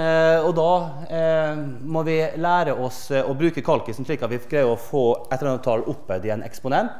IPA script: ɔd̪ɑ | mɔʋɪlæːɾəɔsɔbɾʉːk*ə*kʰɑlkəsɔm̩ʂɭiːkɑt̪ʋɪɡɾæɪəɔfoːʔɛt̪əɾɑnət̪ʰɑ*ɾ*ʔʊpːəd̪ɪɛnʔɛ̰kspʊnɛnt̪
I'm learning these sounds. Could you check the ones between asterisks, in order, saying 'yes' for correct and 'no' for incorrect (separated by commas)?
yes, no